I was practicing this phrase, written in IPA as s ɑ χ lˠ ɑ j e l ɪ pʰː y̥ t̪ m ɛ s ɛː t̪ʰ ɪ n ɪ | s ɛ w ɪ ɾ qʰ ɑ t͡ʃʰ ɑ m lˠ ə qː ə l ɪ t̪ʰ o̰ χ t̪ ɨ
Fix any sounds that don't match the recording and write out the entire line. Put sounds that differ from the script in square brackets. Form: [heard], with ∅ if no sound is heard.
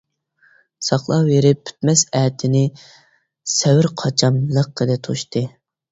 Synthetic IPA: s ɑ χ lˠ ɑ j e [ɾ] ɪ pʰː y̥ t̪ m ɛ s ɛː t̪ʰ ɪ n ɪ | s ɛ w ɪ ɾ qʰ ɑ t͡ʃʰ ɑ m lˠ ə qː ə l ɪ t̪ʰ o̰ [ʃ] t̪ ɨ